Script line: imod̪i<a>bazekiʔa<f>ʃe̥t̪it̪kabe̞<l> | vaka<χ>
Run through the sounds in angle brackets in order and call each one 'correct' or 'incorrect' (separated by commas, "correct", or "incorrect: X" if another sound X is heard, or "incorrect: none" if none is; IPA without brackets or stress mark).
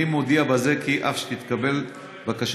correct, correct, correct, incorrect: ʃ